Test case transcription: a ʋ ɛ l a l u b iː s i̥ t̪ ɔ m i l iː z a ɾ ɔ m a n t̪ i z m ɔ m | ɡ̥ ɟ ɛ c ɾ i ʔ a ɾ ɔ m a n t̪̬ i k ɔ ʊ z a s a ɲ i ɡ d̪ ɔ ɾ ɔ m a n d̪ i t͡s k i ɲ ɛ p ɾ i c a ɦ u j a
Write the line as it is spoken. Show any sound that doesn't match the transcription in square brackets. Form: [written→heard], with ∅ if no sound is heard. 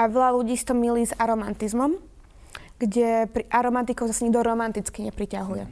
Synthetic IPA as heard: a ʋ ɛ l a l u [b→ɟ] iː s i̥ t̪ ɔ m i l iː z a ɾ ɔ m a n t̪ i z m ɔ m | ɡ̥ ɟ ɛ [c→p] ɾ i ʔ a ɾ ɔ m a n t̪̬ i k ɔ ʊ z a s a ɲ i ɡ d̪ ɔ ɾ ɔ m a n [d̪→t̪] i t͡s k i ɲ ɛ p ɾ i c a ɦ u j [a→ɛ]